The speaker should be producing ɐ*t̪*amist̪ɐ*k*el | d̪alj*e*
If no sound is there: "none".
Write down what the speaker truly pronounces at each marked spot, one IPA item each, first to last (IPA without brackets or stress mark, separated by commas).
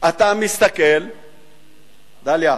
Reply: t̪, k, a